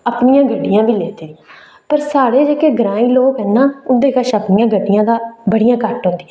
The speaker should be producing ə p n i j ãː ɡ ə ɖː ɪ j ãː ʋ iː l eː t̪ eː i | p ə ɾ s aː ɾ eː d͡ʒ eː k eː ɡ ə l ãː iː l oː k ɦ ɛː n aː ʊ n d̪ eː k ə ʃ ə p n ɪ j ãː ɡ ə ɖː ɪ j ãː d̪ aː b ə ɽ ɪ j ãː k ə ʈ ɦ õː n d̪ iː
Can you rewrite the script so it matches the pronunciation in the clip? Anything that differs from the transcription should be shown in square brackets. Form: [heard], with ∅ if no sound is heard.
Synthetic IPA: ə p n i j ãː ɡ ə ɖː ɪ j ãː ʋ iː l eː t̪ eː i | p ə ɾ s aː [ɽ] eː d͡ʒ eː k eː ɡ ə [ɾ] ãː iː l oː k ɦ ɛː n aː ʊ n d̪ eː k ə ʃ ə p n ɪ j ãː ɡ ə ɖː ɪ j ãː d̪ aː b ə ɽ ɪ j ãː k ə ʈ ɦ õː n d̪ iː